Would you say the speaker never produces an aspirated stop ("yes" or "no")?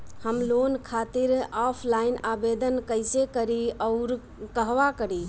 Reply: no